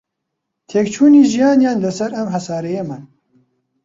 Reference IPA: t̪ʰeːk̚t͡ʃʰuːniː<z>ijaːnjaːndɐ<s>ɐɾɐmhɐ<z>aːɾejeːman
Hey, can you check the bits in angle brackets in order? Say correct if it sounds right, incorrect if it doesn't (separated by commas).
incorrect, correct, incorrect